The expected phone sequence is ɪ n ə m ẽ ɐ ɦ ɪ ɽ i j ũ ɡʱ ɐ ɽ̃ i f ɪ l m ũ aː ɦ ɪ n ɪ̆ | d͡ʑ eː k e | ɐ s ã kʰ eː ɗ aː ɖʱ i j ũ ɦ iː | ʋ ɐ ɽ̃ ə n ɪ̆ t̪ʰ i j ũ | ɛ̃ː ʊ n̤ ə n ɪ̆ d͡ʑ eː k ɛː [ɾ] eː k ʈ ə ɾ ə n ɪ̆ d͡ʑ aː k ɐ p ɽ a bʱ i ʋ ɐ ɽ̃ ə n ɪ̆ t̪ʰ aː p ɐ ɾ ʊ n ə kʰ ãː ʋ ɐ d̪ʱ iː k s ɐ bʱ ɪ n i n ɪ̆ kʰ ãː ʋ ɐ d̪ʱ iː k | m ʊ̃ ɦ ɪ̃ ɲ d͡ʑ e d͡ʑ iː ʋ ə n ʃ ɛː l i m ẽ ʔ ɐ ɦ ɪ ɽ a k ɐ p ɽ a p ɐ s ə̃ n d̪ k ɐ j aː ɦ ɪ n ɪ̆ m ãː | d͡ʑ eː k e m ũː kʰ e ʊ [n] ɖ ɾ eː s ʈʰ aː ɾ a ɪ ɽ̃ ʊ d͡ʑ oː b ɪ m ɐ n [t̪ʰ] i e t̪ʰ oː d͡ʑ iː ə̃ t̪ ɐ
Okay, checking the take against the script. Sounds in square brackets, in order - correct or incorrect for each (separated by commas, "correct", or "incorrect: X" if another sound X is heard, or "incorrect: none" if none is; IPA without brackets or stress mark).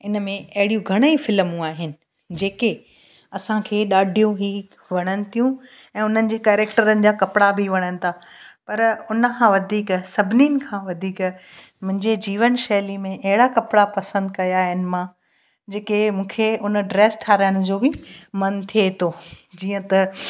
correct, correct, correct